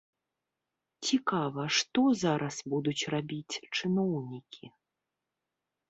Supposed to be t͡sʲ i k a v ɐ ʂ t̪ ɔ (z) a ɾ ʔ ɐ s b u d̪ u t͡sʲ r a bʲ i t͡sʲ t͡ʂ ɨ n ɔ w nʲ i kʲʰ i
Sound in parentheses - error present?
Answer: no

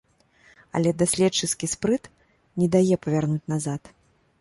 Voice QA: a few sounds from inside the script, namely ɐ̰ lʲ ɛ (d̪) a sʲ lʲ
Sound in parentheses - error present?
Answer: no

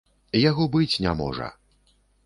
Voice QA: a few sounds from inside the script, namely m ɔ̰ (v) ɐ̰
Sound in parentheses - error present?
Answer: yes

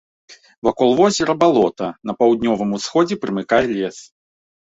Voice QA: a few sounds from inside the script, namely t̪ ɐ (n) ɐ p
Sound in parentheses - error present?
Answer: no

